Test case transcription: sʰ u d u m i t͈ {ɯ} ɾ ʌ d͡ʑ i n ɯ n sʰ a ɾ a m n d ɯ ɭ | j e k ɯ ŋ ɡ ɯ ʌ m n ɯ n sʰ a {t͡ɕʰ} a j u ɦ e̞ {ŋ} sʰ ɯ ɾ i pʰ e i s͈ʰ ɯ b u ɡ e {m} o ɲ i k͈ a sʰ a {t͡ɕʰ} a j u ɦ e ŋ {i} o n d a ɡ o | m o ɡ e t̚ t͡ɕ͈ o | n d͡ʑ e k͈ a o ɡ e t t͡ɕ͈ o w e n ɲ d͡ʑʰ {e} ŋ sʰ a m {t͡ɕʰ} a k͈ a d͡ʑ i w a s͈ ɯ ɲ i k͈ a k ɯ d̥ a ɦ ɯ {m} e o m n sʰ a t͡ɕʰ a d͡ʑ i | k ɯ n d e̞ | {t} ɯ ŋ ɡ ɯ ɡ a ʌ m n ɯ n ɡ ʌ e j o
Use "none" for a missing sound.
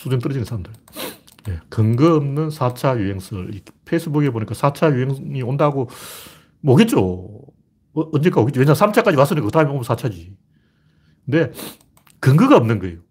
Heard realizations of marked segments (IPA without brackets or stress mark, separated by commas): ɯ, t͡ɕʰ, ŋ, b, t͡ɕʰ, i, a, t͡ɕʰ, m, k